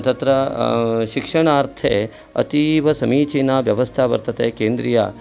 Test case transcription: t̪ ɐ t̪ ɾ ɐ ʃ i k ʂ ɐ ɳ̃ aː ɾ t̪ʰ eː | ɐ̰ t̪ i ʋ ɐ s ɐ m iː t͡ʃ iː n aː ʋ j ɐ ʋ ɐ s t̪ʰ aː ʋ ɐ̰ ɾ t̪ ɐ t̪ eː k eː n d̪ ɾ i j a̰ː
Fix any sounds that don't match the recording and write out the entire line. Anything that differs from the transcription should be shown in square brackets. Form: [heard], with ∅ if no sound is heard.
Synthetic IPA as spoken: t̪ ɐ t̪ ɾ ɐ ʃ i k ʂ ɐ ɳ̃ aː ɾ t̪ʰ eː | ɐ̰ t̪ i ʋ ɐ s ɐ m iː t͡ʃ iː n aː ʋ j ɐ ʋ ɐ s t̪ʰ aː ʋ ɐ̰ ɾ t̪ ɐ t̪ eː k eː n d̪ ɾ i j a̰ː